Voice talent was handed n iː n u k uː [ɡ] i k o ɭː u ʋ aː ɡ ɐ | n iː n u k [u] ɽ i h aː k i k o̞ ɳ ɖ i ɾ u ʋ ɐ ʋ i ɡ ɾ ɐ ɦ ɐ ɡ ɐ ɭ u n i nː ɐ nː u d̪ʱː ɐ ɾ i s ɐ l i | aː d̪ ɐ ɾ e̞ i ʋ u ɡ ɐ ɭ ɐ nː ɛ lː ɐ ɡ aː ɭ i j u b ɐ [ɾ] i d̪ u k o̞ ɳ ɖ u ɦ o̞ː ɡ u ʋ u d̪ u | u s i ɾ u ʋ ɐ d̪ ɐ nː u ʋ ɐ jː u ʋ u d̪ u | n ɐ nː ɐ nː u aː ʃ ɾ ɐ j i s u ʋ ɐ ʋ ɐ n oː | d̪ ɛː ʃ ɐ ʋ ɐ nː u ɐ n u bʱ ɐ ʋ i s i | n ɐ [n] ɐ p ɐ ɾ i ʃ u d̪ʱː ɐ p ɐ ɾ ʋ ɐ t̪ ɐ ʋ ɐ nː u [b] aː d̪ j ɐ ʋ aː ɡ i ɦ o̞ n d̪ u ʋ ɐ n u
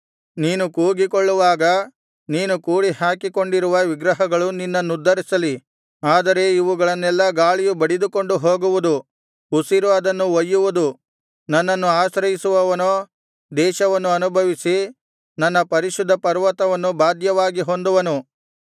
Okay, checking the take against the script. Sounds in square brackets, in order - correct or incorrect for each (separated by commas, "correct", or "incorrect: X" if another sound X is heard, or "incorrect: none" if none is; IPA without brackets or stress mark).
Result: correct, incorrect: uː, incorrect: ɽ, incorrect: nː, correct